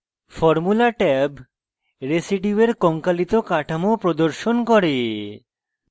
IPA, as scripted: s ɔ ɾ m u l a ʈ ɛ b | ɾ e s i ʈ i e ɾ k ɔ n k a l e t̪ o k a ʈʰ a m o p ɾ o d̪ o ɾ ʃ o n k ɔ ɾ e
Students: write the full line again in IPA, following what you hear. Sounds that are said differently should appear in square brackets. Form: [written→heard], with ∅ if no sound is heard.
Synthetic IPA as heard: [s→f] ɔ ɾ m u l a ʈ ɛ b | ɾ e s i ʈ i e ɾ k ɔ [n→ŋ] k a l [e→i] t̪ o k a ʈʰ a m o p ɾ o d̪ o ɾ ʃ o n k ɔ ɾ e